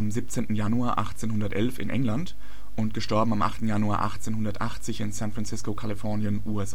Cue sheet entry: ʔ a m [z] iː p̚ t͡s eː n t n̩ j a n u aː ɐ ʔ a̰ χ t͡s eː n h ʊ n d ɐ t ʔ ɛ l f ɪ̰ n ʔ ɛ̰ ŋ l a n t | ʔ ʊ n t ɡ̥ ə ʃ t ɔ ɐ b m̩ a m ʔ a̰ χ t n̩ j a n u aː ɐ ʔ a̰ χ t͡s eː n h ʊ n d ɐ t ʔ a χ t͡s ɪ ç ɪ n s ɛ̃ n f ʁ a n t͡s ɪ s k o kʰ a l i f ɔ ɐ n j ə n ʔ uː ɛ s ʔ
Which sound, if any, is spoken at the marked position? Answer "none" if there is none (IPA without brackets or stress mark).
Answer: z